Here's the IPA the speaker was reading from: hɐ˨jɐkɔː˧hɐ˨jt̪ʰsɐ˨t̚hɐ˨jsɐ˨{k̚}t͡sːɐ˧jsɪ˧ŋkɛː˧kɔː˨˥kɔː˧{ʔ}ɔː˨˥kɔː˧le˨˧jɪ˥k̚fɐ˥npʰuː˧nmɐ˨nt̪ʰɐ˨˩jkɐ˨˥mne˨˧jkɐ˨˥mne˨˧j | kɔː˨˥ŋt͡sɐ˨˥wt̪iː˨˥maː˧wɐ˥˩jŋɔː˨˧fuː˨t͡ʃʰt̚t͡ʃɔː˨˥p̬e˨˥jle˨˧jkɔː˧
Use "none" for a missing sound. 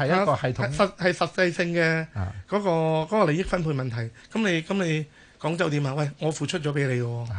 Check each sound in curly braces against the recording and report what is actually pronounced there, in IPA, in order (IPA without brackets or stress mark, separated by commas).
t̚, k